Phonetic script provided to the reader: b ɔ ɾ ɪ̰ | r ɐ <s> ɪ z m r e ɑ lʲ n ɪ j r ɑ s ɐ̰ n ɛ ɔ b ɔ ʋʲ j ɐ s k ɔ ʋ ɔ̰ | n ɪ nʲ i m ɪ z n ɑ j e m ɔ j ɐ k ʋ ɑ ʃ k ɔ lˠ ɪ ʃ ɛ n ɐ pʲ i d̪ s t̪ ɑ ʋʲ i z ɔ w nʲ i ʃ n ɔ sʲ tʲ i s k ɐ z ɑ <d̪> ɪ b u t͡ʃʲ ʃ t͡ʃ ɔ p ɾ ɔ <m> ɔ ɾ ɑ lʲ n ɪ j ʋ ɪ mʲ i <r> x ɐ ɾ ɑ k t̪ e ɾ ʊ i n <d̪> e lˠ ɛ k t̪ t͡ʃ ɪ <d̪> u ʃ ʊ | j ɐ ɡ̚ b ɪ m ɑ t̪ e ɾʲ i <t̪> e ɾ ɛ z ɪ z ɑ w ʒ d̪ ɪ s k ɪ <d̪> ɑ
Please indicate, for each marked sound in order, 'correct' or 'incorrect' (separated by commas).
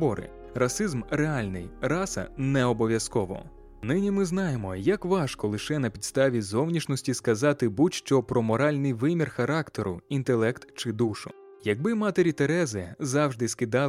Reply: correct, incorrect, correct, correct, incorrect, correct, correct, correct